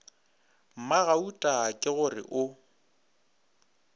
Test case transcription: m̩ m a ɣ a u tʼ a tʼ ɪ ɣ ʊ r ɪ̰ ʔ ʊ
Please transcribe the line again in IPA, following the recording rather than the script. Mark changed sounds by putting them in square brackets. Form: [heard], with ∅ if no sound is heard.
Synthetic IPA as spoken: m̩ m a ɣ a u tʼ a [kʼ] ɪ ɣ ʊ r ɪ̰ ʔ ʊ